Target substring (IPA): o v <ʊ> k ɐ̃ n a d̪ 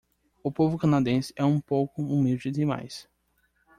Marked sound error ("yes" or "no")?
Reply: no